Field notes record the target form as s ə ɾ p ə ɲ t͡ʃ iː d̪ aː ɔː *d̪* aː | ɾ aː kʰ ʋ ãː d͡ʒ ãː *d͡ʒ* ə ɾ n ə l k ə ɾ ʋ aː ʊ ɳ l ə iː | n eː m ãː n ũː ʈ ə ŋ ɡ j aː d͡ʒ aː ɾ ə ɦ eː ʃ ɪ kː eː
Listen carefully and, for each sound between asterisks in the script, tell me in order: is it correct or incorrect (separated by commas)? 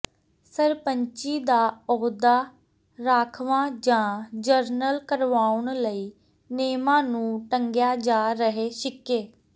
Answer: correct, correct